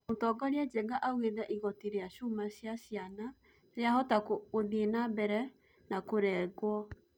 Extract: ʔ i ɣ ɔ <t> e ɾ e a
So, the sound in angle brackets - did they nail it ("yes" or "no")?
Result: yes